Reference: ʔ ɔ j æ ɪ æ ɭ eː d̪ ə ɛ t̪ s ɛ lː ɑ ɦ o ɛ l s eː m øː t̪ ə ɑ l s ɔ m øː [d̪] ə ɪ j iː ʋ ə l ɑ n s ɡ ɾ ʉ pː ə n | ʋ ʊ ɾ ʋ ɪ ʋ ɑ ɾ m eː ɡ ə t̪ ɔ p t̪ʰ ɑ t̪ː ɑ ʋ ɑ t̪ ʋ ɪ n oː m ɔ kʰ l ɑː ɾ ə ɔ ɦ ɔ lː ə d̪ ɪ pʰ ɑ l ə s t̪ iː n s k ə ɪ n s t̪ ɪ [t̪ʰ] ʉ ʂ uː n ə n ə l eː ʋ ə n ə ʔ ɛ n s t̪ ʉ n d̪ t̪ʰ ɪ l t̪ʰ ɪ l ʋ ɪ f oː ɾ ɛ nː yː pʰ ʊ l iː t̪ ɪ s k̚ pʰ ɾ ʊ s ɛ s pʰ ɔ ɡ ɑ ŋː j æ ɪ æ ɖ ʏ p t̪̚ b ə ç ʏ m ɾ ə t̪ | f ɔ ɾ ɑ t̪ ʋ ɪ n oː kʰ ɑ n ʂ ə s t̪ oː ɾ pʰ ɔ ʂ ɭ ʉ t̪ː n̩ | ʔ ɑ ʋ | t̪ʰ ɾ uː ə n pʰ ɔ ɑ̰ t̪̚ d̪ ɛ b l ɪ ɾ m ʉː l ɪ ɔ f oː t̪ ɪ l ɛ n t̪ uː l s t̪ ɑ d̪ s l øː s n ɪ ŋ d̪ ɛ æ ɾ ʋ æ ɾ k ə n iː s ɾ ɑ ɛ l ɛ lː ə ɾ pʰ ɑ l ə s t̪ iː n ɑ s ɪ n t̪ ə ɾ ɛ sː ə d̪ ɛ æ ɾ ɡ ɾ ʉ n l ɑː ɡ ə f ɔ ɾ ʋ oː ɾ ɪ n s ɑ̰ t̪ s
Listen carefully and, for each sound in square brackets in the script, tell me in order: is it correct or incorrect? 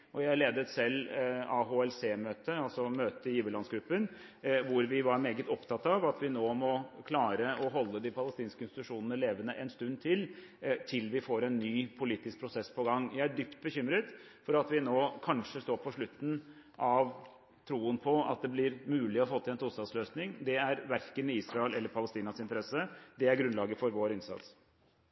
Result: incorrect, incorrect

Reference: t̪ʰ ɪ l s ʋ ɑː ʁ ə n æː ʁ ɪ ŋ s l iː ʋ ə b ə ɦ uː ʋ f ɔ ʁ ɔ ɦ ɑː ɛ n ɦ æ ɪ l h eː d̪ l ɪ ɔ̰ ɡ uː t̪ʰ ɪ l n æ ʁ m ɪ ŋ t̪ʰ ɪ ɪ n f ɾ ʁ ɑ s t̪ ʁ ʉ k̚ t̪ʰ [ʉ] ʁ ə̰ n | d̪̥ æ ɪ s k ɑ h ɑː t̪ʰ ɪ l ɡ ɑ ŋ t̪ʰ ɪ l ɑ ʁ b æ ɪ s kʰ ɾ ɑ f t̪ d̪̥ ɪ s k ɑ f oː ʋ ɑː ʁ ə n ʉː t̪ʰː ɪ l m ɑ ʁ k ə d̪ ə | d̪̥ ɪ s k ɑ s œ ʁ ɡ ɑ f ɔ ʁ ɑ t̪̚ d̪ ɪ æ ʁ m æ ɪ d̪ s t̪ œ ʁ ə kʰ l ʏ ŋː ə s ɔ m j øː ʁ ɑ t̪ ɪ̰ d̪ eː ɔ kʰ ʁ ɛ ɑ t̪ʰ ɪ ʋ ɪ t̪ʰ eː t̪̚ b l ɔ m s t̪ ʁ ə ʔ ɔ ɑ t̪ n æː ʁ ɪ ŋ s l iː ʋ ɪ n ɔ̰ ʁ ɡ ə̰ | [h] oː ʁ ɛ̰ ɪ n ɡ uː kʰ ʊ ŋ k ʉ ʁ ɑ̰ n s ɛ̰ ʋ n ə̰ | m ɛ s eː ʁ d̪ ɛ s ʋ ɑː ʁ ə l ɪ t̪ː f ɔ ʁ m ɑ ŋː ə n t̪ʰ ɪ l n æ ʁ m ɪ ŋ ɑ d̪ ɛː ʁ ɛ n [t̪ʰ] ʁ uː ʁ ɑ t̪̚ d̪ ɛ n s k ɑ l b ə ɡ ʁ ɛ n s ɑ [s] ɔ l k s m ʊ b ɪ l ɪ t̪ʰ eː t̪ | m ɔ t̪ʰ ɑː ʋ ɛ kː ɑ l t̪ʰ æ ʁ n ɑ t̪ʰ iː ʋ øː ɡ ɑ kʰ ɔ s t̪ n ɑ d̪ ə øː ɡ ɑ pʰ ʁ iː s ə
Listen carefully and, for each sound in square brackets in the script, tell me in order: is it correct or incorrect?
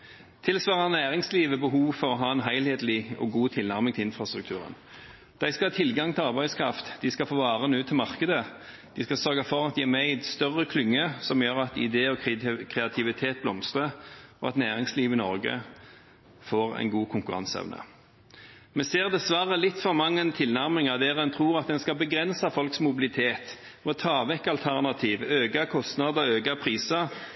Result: incorrect, incorrect, correct, incorrect

